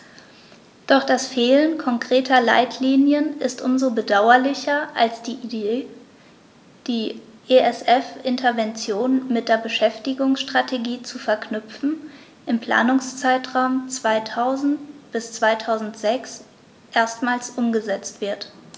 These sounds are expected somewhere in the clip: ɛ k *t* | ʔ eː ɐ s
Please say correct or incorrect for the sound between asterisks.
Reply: incorrect